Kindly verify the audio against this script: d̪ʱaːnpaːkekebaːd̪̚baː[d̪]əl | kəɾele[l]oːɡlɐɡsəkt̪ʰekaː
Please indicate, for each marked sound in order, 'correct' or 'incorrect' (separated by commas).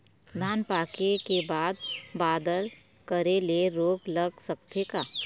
correct, incorrect